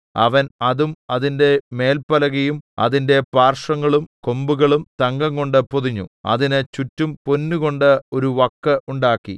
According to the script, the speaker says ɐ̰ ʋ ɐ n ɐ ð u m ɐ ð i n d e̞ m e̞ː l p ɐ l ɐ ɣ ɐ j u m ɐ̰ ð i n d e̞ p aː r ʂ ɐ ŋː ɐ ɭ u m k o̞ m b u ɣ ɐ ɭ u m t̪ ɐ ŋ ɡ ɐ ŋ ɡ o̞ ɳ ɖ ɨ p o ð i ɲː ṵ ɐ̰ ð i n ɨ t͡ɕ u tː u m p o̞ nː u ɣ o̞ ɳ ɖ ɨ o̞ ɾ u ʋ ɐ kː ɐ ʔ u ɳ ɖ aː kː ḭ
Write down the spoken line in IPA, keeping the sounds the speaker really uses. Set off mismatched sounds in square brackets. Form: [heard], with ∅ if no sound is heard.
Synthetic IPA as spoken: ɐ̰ ʋ ɐ n ɐ ð u m ɐ ð i n d e̞ m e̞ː l p ɐ l ɐ ɣ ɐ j u m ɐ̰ ð i n d e̞ p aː r ʂ ɐ ŋː ɐ ɭ u m k o̞ m b u ɣ ɐ ɭ u m t̪ ɐ ŋ ɡ ɐ ŋ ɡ o̞ ɳ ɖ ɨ p o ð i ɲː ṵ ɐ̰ ð i n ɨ t͡ɕ u tː u m p o̞ nː u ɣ o̞ ɳ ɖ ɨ o̞ ɾ u ʋ ɐ kː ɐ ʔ u ɳ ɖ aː kː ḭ